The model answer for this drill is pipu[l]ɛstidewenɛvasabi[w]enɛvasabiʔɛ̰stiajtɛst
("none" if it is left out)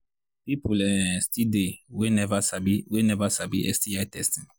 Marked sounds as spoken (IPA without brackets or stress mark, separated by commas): l, w